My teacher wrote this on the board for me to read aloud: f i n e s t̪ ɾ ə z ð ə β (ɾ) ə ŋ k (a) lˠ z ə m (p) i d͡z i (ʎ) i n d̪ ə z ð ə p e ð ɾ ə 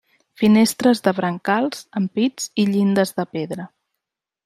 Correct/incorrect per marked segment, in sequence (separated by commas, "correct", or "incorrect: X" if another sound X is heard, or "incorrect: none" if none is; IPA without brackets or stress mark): correct, correct, correct, correct